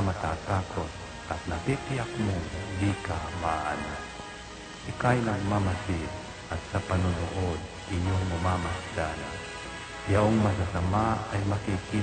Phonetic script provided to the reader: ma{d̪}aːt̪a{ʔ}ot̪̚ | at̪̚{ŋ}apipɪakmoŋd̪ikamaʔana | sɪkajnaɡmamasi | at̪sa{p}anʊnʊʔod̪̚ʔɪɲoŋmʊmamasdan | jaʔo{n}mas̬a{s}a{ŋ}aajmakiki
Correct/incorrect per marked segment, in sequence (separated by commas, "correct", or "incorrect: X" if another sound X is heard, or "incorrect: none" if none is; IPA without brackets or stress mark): incorrect: t̪, incorrect: k, incorrect: n, correct, incorrect: ŋ, correct, incorrect: m